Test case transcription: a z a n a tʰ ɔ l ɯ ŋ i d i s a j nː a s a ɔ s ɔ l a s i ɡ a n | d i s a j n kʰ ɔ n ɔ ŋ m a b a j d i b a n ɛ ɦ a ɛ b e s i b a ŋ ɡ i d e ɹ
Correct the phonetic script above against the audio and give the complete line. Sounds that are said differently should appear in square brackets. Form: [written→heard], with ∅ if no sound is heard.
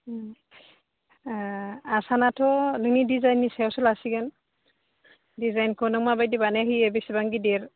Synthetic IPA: a [z→s] a n a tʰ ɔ l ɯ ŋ i d i [s→z] a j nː [a→i] s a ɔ s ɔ l a s i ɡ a n | d i [s→z] a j n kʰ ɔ n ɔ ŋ m a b a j d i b a n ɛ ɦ [a→i] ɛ b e s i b a ŋ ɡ i d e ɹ